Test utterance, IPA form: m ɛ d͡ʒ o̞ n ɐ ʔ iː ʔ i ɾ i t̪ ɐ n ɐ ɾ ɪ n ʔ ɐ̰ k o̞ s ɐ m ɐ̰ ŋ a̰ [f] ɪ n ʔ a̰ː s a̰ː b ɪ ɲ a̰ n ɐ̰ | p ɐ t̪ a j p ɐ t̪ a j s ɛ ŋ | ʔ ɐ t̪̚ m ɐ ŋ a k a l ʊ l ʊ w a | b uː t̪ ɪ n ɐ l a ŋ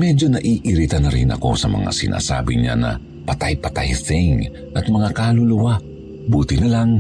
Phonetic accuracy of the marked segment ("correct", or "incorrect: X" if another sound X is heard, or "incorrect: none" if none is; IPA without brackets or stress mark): incorrect: s